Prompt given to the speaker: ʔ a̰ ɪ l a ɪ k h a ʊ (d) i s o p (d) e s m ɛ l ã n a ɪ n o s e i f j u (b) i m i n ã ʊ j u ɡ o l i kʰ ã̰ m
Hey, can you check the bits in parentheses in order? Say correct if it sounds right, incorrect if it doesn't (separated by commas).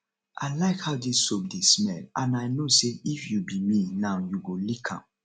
correct, correct, correct